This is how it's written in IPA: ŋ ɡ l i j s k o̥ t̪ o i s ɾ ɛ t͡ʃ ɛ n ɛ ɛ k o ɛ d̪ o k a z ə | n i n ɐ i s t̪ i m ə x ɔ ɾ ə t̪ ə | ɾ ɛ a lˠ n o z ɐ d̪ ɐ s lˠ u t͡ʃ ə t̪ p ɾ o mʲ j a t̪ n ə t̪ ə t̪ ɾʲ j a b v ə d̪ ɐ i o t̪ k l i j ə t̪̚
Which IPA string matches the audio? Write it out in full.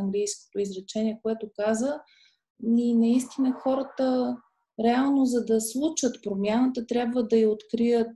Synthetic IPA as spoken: ŋ ɡ l i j s k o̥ t̪ o i z ɾ ɛ t͡ʃ ɛ n i ɛ k o ɛ t̪ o k a z ə | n i n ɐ i s t̪ i n ə x ɔ ɾ ə t̪ ə | ɾ ɛ a lˠ n o z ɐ d̪ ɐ s lˠ u t͡ʃ ə t̪ p ɾ o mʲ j a n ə t̪ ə t̪ ɾʲ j a b v ə d̪ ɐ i o t̪ k ɾ i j ə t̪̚